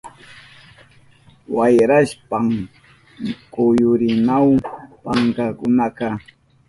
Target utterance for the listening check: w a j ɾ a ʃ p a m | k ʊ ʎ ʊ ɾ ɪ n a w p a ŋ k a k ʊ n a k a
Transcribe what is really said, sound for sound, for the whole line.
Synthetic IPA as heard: w a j ɾ a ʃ p a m | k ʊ j ʊ ɾ ɪ n a w p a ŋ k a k ʊ n a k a